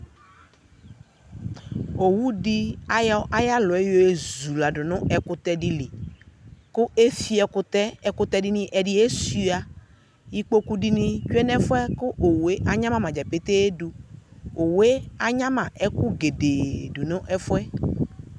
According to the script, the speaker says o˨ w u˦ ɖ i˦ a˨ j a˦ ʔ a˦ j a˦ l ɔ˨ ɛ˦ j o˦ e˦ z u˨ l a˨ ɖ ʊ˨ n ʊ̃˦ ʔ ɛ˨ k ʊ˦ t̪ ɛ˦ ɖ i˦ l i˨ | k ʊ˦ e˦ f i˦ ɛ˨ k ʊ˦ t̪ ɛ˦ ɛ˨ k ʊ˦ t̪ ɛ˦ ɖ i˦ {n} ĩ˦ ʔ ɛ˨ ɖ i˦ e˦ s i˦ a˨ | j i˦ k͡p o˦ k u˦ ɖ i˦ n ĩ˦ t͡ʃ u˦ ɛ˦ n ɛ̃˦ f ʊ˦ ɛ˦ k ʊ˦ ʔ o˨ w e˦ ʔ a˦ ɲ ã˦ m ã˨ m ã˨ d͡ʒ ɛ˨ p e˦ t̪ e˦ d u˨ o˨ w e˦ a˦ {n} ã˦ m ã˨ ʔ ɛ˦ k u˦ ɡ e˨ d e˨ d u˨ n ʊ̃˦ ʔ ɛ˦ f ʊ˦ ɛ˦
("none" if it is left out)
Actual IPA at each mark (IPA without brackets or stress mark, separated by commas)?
n, ɲ